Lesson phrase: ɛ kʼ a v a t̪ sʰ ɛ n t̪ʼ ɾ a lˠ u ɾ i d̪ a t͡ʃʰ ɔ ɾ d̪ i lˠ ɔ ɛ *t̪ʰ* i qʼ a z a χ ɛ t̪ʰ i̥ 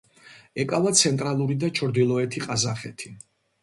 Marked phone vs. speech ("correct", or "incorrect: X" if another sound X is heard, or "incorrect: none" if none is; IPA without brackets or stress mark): correct